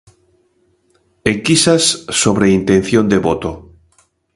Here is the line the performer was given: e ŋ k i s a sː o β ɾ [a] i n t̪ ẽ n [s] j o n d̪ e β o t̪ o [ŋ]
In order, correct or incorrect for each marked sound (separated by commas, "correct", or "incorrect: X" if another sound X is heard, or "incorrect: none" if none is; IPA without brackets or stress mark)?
incorrect: e, incorrect: θ, incorrect: none